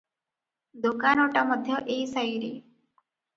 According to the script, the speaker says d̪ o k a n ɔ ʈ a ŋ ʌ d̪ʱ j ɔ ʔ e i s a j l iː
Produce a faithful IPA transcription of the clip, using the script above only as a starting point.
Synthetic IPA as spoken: d̪ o k a n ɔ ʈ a m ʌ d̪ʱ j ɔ ʔ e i s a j ɾ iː